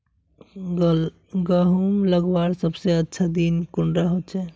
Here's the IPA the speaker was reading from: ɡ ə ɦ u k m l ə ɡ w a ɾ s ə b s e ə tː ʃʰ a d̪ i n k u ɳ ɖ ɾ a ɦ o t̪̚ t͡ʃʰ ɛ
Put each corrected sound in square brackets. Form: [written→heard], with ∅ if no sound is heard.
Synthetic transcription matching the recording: ɡ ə ɦ u [k→∅] m l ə ɡ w a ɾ s ə b s e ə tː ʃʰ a d̪ i n k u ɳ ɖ ɾ a ɦ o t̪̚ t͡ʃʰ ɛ